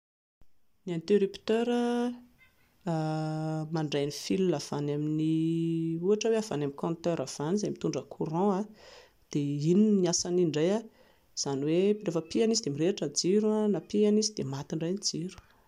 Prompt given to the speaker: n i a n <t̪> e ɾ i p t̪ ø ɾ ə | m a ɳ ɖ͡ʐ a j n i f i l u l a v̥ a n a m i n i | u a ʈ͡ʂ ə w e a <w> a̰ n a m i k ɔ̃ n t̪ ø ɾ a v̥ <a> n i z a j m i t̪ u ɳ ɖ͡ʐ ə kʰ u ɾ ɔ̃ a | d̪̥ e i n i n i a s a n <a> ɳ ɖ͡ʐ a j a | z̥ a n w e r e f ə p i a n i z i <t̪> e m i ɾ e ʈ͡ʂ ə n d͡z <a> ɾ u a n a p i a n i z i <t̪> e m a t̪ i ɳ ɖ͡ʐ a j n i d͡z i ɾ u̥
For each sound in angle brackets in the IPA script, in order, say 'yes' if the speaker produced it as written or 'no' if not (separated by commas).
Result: yes, no, yes, no, no, no, no